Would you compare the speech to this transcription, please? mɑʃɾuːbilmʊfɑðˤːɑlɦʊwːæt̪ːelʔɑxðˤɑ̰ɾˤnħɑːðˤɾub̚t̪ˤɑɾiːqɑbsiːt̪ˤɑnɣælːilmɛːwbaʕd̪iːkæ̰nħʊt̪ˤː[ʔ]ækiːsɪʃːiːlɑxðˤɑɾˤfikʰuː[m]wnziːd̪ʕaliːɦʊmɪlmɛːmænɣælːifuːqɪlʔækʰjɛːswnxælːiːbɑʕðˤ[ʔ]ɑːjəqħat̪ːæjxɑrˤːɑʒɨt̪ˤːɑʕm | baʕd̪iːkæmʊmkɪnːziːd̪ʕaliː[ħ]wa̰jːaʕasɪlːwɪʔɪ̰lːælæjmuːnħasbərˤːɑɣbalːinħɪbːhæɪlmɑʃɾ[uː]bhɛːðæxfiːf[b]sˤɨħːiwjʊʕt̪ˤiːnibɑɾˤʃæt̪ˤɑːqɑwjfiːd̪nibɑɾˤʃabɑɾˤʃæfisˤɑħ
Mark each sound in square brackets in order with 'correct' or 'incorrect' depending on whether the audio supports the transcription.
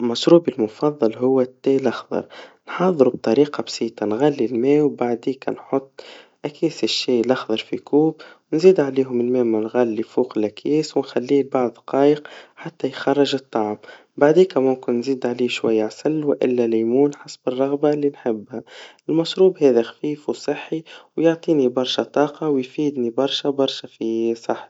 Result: correct, incorrect: b, incorrect: q, incorrect: ʃ, correct, incorrect: w

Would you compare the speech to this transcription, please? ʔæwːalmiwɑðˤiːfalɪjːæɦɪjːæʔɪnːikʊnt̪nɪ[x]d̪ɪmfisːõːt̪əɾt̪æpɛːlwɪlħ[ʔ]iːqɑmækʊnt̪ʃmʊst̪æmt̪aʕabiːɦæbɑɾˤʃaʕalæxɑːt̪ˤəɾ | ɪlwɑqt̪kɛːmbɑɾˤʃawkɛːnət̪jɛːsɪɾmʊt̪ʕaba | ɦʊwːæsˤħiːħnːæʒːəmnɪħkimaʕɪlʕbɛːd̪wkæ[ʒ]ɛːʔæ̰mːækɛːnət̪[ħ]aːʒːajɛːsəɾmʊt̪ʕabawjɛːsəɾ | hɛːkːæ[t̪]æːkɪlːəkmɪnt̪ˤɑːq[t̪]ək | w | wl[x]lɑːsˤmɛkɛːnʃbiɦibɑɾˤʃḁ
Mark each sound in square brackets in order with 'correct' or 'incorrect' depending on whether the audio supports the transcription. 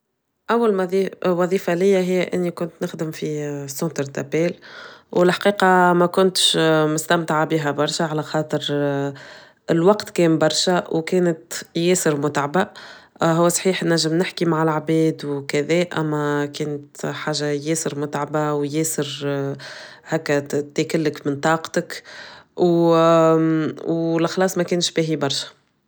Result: correct, incorrect: q, incorrect: ð, correct, correct, correct, correct

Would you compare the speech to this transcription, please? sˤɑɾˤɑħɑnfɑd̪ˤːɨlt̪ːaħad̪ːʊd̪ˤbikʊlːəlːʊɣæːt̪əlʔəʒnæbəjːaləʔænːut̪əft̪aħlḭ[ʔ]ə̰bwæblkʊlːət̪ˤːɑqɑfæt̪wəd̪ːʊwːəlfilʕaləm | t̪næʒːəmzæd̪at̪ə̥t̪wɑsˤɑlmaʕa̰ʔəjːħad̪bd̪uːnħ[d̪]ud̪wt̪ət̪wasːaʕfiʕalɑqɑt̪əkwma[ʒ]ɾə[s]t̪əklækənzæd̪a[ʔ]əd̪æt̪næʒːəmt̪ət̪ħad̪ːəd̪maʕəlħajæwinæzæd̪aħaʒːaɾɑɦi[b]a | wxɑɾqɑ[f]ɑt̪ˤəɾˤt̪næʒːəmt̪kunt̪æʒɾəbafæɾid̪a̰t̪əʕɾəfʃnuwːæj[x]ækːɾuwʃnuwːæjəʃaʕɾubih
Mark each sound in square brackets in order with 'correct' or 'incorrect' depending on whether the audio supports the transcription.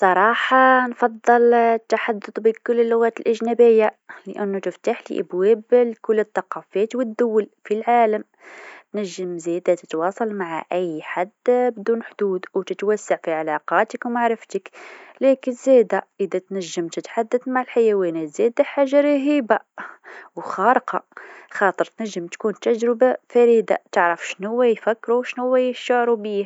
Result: correct, correct, incorrect: ʕ, incorrect: f, correct, correct, incorrect: x, incorrect: f

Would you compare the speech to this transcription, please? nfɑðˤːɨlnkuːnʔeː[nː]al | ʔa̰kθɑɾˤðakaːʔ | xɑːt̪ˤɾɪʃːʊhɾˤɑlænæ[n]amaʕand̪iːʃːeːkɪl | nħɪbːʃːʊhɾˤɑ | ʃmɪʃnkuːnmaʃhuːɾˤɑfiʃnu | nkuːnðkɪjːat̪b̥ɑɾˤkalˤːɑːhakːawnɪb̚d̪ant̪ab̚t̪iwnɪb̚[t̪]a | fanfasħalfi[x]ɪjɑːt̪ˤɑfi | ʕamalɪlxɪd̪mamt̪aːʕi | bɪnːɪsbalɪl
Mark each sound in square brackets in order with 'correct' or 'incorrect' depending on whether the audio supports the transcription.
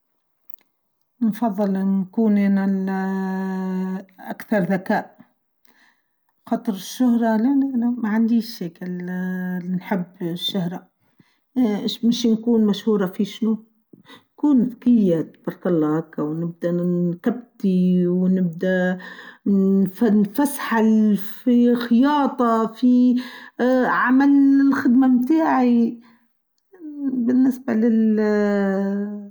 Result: incorrect: n, correct, incorrect: d̪, correct

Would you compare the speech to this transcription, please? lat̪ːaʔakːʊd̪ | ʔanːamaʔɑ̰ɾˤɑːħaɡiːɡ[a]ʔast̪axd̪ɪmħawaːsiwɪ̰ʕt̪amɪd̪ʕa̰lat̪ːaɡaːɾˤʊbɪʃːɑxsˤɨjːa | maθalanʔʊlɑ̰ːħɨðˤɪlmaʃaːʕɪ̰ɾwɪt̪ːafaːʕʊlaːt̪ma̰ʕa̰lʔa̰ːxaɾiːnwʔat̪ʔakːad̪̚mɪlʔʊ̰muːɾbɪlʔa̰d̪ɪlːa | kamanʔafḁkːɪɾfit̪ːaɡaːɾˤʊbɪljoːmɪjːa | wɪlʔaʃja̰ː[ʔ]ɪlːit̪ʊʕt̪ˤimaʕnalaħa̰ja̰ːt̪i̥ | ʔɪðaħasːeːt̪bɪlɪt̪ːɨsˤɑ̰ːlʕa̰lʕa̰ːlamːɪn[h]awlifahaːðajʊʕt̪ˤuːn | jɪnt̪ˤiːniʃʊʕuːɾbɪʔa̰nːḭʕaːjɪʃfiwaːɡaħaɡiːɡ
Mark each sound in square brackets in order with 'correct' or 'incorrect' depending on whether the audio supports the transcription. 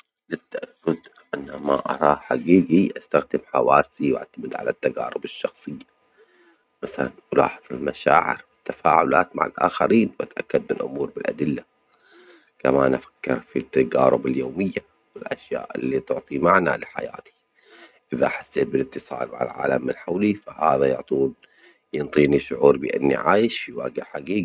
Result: incorrect: i, correct, incorrect: ħ

